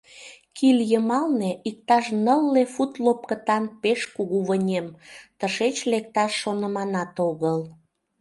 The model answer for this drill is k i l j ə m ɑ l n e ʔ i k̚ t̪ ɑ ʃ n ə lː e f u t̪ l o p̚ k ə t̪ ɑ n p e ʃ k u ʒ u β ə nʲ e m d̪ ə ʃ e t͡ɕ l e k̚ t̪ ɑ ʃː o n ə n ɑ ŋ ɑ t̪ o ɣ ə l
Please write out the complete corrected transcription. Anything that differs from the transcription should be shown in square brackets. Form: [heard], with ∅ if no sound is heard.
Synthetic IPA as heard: k i l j ə m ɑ l n e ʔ i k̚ t̪ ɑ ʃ n ə lː e f u t̪ l o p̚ k ə t̪ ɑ n p e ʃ k u [ɣ] u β ə nʲ e m [t̪] ə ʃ e t͡ɕ l e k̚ t̪ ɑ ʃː o n ə [m] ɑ [n] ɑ t̪ o ɣ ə l